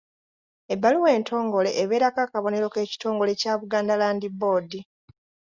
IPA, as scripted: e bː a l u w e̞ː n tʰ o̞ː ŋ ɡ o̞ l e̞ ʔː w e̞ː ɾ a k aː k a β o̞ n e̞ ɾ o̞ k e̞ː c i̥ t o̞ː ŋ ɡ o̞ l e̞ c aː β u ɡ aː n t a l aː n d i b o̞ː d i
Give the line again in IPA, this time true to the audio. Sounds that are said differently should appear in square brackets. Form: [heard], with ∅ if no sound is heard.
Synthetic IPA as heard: e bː a l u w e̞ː n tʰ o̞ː ŋ ɡ o̞ l e̞ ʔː [β] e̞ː ɾ a k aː k a β o̞ n e̞ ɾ o̞ k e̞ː c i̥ t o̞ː ŋ ɡ o̞ l e̞ c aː β u ɡ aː n [d] a l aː n d i b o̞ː d i

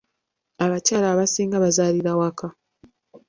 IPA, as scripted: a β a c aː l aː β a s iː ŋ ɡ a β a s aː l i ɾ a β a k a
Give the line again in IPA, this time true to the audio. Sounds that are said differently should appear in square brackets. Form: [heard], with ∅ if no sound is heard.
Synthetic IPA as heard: a β a c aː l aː β a s iː ŋ ɡ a β a [z] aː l i ɾ a [w] a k a

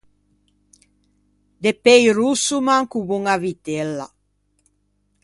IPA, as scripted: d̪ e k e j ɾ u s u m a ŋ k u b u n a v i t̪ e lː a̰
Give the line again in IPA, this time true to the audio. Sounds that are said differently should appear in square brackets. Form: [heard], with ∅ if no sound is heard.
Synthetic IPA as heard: d̪ e [p] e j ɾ u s u m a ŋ k u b u [ŋ] a v i t̪ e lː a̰

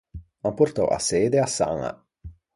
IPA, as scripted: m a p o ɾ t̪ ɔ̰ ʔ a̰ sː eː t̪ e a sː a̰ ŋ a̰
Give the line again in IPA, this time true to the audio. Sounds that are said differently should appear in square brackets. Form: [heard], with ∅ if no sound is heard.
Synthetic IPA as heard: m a p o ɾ t̪ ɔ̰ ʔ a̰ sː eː [d̪] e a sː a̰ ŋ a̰

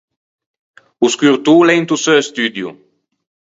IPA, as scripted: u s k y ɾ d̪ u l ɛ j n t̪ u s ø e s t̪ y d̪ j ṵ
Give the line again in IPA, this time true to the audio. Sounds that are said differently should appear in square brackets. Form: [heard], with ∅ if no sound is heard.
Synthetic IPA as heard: u s k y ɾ [t̪] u l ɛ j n t̪ u s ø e s t̪ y d̪ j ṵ

